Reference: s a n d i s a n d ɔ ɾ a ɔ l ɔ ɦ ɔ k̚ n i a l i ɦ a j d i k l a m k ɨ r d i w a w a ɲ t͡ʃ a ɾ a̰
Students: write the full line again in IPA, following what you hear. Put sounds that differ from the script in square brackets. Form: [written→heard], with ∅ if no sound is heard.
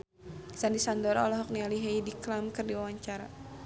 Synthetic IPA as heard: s a n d i s a n d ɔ ɾ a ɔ l ɔ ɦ ɔ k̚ n i a l i ɦ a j d i k l a m k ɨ r d i w a w a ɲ t͡ʃ a ɾ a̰